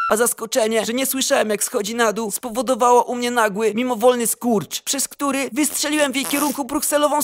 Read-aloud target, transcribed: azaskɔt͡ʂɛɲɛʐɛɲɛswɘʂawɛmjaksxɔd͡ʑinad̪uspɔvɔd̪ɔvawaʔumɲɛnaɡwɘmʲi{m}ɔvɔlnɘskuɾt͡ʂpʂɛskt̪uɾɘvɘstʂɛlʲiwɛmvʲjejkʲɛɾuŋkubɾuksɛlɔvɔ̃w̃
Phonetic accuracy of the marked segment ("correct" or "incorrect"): correct